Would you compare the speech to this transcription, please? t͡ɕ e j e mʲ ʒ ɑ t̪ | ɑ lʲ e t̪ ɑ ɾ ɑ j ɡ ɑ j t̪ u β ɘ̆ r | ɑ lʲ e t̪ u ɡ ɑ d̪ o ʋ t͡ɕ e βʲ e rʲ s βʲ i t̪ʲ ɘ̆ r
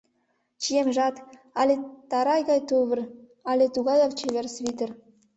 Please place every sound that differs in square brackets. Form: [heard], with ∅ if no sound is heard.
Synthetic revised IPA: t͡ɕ [i] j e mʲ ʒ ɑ t̪ | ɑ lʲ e t̪ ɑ ɾ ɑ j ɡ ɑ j t̪ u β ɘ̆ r | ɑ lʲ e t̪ u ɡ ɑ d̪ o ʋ t͡ɕ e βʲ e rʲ s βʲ i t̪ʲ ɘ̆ r